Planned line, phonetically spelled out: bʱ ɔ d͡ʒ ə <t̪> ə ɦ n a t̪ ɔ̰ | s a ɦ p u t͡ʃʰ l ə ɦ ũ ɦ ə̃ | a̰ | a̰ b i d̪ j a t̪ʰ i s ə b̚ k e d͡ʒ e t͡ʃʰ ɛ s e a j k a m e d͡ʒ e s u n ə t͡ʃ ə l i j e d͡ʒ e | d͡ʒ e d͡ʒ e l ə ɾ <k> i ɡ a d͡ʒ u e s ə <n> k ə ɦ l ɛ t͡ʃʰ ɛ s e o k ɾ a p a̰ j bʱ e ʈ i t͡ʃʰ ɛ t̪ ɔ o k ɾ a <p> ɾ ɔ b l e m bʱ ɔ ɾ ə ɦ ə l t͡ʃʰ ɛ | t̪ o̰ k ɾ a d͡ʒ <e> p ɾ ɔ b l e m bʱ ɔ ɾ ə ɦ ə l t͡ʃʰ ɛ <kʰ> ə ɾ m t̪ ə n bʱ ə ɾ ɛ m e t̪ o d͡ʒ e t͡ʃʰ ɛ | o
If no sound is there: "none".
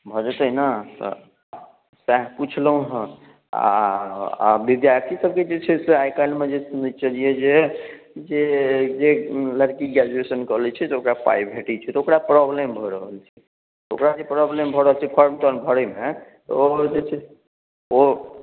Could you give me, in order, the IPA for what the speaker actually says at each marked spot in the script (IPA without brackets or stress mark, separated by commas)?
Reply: t̪, k, n, p, e, pʰ